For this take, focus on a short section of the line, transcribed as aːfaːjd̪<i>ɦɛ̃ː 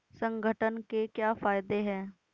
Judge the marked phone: incorrect: e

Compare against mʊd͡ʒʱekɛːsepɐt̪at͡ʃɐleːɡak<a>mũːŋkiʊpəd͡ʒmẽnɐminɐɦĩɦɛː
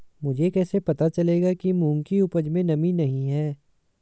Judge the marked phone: incorrect: i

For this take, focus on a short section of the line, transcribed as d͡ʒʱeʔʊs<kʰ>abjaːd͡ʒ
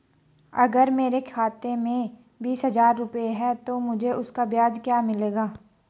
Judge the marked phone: incorrect: k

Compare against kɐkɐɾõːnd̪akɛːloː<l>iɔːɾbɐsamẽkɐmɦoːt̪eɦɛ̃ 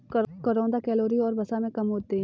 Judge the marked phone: incorrect: ɾ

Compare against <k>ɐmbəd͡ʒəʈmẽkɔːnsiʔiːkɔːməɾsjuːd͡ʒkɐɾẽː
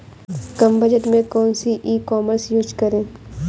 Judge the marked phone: correct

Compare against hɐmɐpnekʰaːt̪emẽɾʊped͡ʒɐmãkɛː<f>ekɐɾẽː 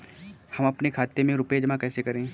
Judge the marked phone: incorrect: s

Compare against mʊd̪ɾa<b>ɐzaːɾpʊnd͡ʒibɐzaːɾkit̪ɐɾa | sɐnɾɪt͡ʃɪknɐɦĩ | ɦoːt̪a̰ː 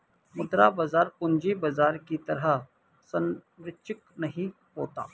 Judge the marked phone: correct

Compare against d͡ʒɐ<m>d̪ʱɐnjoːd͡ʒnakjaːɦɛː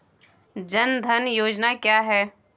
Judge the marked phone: incorrect: n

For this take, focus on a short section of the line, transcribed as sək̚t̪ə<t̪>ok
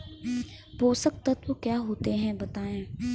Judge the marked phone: correct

